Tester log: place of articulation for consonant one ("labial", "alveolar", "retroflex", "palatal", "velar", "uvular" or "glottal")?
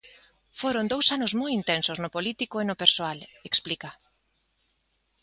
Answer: labial